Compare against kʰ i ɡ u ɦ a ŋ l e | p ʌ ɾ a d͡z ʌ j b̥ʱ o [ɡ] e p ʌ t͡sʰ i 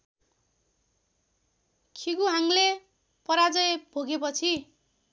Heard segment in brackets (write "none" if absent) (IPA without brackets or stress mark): ɡ